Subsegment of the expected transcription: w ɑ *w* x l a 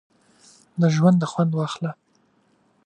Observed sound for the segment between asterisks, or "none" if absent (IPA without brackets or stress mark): none